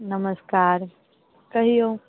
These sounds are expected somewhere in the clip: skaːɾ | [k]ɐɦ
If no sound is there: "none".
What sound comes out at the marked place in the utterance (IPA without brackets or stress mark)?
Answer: k